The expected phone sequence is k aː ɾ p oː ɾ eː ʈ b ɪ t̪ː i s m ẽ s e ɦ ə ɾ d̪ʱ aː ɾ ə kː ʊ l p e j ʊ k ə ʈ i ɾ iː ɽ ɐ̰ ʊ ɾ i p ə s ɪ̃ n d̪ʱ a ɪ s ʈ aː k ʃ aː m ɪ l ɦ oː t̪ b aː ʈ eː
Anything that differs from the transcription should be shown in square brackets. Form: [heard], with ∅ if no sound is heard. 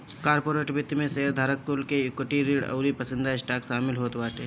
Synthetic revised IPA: k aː ɾ p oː ɾ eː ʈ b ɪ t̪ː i [∅] m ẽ s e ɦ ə ɾ d̪ʱ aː ɾ ə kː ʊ l [k] e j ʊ k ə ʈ i ɾ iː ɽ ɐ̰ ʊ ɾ i p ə s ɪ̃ n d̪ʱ a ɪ s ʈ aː k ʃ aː m ɪ l ɦ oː t̪ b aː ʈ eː